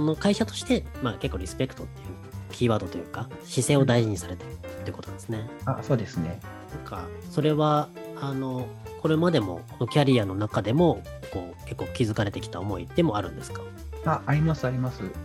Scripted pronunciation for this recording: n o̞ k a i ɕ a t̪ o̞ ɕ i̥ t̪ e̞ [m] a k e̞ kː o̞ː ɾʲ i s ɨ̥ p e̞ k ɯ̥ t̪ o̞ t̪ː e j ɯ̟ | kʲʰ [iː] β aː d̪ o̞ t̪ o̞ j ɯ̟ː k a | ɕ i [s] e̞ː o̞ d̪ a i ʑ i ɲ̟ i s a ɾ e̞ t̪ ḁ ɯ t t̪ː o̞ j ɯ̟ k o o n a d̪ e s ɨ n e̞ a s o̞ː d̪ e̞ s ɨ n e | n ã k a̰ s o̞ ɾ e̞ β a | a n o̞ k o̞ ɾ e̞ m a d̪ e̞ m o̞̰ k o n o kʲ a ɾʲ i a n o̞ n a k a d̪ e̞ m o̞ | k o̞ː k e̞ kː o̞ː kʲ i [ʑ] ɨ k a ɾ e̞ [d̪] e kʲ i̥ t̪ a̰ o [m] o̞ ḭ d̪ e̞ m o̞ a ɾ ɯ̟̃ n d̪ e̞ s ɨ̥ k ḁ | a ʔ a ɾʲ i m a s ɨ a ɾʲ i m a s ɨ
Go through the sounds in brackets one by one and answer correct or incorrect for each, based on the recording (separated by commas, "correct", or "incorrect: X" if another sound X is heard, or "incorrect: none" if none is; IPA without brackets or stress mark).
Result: correct, correct, correct, incorrect: z, incorrect: t̪, correct